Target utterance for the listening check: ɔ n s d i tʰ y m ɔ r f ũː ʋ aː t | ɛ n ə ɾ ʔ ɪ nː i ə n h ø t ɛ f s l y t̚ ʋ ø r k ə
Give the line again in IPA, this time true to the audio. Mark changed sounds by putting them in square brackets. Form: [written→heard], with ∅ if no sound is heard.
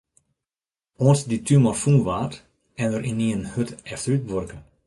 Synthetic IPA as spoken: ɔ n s d i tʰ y m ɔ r f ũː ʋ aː t | ɛ n ə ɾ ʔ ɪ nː i ə n h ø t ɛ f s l y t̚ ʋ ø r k ə